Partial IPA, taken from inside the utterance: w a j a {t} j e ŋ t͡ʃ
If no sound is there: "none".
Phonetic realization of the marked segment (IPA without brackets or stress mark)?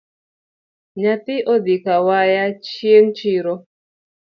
t͡ʃ